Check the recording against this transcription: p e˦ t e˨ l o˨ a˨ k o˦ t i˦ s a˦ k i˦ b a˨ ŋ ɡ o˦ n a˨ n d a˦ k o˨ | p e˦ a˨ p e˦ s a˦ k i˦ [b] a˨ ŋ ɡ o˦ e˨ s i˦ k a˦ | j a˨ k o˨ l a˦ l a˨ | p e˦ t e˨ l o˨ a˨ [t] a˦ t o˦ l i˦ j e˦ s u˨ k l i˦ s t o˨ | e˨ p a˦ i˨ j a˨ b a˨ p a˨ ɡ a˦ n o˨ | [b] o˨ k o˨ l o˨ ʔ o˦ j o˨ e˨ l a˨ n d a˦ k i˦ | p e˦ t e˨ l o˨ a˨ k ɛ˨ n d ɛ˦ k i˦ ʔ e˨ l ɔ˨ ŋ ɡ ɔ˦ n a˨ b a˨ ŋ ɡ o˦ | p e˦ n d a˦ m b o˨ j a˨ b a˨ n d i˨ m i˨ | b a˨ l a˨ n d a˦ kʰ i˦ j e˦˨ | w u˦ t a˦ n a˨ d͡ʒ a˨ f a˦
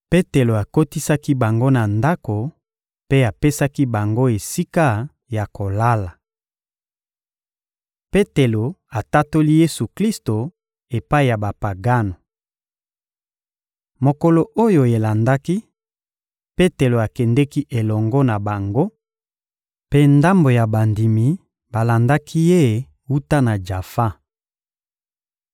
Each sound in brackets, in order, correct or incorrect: correct, correct, incorrect

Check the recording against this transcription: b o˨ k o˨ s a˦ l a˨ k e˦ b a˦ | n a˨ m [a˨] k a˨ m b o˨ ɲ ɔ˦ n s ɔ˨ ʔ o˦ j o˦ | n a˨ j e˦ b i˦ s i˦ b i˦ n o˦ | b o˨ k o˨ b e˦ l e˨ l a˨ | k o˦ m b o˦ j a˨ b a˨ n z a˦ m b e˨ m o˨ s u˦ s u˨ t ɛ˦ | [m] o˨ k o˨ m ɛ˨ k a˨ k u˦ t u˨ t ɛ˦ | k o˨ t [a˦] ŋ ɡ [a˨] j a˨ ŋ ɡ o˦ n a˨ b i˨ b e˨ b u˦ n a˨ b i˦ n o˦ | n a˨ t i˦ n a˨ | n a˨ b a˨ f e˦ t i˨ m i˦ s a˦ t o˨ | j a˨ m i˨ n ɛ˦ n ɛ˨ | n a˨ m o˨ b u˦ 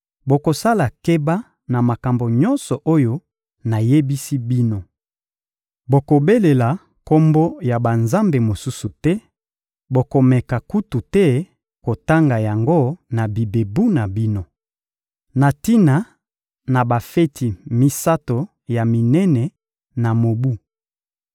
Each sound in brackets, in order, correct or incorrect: correct, incorrect, correct, correct

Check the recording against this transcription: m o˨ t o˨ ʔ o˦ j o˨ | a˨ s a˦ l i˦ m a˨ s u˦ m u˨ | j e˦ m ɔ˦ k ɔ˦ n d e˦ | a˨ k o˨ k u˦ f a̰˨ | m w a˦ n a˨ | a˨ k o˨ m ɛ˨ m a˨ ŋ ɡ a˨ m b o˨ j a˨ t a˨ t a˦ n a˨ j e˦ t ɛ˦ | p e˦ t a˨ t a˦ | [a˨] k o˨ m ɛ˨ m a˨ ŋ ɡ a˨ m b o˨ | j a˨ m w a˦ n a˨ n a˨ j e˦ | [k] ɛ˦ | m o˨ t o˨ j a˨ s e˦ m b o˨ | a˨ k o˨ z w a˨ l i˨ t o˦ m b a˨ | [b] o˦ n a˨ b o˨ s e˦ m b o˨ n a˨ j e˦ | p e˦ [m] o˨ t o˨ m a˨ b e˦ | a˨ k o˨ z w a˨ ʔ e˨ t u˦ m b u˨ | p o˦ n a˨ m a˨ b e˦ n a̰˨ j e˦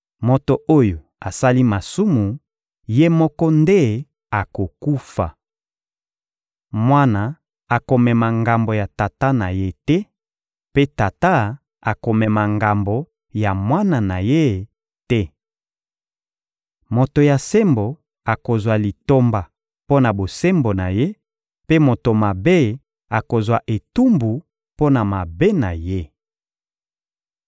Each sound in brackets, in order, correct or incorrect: correct, incorrect, incorrect, correct

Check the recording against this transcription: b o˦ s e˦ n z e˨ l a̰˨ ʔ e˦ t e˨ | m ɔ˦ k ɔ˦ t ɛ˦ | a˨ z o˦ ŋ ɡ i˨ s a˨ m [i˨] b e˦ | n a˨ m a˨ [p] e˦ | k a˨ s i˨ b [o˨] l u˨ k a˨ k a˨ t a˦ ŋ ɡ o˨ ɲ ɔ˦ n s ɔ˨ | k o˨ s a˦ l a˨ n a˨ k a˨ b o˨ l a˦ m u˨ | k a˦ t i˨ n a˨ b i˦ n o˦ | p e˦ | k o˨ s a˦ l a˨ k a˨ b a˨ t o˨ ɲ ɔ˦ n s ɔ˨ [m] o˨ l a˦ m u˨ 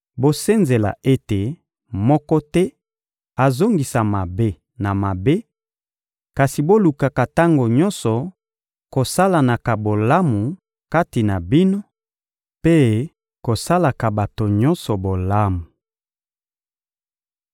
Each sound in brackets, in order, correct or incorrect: incorrect, incorrect, incorrect, incorrect

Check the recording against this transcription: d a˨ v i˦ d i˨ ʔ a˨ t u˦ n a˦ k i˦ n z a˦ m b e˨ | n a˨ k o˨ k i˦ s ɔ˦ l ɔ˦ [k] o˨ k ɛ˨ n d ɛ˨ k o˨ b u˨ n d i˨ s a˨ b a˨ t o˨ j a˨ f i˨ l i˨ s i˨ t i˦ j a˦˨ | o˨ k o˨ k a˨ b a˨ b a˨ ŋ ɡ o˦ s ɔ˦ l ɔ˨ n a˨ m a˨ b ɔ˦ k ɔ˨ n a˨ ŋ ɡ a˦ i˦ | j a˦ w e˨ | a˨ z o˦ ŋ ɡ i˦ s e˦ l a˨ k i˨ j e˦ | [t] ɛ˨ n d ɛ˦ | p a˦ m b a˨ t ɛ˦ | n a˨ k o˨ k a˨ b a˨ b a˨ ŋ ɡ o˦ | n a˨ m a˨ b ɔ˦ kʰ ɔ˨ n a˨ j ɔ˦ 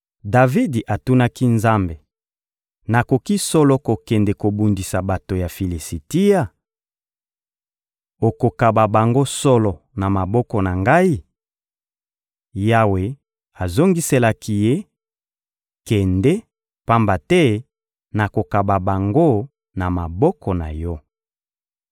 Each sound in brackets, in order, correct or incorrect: correct, incorrect

